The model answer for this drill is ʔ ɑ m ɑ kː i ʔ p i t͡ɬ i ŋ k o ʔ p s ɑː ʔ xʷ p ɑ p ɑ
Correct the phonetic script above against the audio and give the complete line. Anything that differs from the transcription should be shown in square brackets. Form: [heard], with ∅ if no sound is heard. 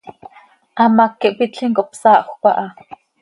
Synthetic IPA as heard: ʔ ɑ m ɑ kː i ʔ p i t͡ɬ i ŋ k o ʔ p s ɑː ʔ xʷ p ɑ [ʔ] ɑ